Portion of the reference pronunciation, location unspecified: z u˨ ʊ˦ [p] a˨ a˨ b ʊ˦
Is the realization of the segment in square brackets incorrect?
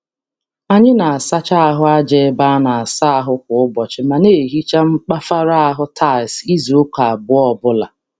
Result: yes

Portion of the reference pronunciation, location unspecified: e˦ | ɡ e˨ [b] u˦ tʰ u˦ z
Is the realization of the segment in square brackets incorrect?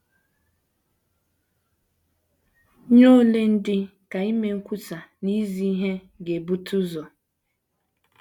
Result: no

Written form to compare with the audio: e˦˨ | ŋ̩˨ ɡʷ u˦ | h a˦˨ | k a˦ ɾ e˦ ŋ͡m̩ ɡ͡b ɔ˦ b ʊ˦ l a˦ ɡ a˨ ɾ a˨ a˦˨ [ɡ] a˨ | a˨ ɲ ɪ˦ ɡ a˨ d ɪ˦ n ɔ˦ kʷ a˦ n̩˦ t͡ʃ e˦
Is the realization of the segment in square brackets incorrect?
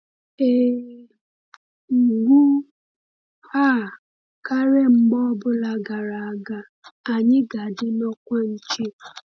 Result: no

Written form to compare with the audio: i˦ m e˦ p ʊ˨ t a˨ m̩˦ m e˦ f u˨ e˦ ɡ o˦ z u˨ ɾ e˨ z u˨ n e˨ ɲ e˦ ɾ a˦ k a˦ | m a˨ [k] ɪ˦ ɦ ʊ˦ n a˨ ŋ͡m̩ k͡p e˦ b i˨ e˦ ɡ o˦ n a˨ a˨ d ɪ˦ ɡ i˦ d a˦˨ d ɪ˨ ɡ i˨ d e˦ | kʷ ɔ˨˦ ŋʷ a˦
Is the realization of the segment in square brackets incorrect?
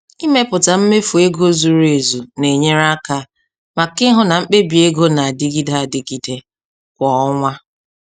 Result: no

